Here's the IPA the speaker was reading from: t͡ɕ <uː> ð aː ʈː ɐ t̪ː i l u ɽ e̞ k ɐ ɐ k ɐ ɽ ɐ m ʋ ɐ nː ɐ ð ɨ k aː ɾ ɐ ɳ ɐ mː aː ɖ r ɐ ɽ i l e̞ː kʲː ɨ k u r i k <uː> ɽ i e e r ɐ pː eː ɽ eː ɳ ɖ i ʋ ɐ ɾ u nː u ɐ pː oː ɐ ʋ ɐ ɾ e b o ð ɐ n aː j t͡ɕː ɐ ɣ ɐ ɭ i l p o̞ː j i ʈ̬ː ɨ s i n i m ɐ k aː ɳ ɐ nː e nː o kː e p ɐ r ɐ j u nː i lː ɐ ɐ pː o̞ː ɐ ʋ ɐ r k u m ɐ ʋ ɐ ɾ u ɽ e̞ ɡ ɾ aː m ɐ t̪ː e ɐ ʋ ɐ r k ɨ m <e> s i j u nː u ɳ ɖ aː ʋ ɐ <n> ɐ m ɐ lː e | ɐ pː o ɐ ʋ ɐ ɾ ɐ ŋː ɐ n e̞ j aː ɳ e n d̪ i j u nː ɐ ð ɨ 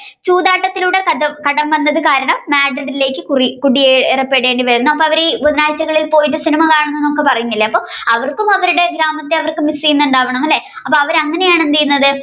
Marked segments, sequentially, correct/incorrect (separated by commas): correct, incorrect, incorrect, incorrect